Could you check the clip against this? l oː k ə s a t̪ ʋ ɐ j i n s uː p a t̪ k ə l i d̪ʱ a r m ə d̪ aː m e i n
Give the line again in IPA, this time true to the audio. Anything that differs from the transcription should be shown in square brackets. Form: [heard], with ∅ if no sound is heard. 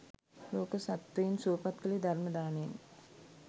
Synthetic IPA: l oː k ə s a t̪ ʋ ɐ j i n s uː p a t̪ k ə l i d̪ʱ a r m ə d̪ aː [n] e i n